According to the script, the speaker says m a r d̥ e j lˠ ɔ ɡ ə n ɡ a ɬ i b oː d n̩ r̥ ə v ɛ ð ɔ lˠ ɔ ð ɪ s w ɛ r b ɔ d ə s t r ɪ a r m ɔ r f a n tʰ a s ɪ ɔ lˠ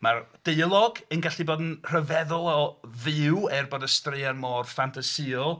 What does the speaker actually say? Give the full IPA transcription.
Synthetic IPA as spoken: m a r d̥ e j lˠ ɔ ɡ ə n ɡ a ɬ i b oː d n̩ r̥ ə v ɛ ð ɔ lˠ ɔ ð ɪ w ɛ r b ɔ d ə s t r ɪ a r m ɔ r f a n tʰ a s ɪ ɔ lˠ